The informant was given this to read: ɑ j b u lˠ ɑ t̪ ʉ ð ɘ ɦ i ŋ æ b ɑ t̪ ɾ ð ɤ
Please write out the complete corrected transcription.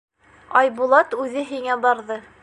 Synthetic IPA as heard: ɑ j b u lˠ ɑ t̪ ʉ ð ɘ ɦ i ŋ æ b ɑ ɾ ð ɤ